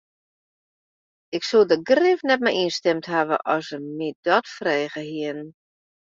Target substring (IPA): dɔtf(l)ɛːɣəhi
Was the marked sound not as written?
yes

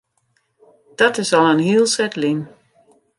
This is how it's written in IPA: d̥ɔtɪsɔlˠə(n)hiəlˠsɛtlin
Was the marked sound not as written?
no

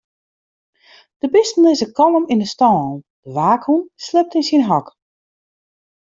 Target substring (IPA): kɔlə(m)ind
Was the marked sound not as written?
no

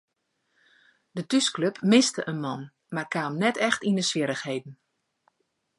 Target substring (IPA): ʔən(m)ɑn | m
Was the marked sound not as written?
no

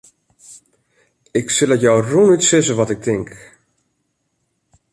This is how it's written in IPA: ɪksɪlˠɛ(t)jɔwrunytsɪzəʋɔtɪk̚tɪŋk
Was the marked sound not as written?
no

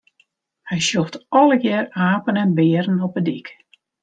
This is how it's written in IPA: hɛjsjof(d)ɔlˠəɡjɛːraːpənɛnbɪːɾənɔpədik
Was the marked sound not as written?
yes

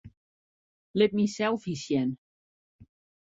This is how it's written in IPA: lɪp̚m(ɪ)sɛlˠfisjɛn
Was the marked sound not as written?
yes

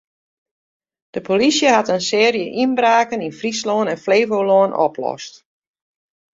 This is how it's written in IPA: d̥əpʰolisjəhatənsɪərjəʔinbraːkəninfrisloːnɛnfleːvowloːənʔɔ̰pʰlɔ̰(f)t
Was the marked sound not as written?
yes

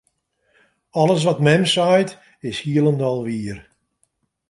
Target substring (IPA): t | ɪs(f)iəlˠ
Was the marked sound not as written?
yes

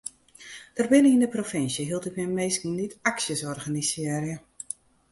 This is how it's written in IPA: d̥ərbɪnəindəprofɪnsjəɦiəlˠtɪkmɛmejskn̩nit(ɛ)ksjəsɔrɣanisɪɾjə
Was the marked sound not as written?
yes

